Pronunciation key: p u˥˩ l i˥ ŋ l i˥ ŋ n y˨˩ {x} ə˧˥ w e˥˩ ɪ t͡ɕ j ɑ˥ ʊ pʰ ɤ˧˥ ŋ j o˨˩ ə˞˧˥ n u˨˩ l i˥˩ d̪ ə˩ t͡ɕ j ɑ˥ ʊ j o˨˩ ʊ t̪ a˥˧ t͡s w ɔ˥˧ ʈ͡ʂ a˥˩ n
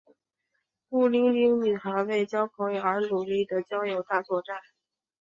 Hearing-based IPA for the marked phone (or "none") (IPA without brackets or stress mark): x